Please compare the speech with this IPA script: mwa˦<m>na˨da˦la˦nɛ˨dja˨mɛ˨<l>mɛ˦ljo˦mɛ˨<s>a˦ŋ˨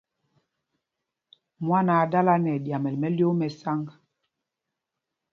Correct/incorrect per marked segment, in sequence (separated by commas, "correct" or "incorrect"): incorrect, correct, correct